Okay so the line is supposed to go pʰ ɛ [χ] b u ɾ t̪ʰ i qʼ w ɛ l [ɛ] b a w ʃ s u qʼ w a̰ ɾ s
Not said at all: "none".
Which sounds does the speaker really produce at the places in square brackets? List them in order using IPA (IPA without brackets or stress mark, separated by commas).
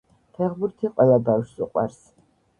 ʁ, a